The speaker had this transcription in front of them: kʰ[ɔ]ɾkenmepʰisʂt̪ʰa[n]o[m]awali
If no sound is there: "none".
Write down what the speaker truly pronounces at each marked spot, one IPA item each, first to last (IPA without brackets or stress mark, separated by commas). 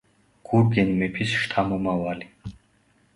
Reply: u, m, m